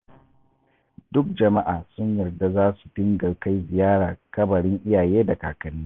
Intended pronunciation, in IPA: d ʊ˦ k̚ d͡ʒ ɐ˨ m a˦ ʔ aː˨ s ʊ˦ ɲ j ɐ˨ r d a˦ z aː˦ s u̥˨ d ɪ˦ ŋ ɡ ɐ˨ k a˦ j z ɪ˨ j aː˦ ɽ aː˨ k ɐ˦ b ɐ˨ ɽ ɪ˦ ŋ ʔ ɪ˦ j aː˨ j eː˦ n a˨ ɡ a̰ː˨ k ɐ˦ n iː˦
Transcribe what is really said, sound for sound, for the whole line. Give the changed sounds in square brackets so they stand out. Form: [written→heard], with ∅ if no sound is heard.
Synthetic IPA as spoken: d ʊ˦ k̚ d͡ʒ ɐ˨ m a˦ ʔ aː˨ s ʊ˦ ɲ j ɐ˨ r d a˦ z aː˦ s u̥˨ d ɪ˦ ŋ ɡ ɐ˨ k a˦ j z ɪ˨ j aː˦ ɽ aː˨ k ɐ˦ b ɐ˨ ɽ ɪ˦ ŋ ʔ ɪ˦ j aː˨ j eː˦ [n→d] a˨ [ɡ→k] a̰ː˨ k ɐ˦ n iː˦